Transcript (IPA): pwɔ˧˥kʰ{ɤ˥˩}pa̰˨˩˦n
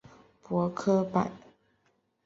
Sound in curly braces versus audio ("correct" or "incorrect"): incorrect